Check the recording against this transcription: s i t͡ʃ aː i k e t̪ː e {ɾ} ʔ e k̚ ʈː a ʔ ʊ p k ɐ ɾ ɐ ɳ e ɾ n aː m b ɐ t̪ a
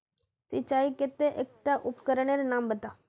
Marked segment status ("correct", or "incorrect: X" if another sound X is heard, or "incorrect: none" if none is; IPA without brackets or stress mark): incorrect: none